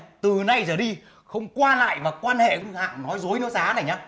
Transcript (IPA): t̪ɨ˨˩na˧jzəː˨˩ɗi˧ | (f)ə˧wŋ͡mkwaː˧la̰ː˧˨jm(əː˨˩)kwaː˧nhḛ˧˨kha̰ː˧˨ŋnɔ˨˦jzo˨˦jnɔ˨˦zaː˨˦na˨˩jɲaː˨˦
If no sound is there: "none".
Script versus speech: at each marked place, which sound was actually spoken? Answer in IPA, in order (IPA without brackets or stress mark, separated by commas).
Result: x, aː˨˩